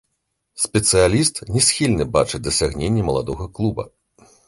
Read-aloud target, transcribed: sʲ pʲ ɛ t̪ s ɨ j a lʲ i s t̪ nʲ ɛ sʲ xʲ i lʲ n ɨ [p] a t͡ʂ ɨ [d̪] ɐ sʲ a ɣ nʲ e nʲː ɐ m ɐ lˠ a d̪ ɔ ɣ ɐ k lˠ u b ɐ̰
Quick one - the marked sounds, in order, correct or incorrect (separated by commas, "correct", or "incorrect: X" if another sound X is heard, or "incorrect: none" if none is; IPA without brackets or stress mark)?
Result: incorrect: b, correct